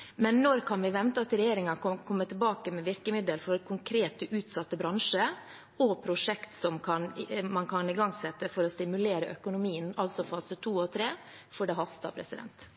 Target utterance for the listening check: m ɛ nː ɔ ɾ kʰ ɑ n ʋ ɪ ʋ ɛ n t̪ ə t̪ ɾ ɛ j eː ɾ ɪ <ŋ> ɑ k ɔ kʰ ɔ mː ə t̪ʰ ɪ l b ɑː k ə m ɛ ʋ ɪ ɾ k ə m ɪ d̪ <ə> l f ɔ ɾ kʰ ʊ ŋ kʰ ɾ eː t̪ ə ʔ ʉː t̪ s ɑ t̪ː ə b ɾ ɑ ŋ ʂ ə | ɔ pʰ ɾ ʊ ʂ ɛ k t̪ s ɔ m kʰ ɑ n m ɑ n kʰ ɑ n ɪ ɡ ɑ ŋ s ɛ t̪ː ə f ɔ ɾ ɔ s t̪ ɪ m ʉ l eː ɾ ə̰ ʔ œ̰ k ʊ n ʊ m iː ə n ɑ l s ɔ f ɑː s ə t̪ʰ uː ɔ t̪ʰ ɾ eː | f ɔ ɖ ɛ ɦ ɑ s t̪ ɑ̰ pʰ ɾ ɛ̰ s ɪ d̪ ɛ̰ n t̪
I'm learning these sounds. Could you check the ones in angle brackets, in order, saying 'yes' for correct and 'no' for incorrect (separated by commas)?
yes, yes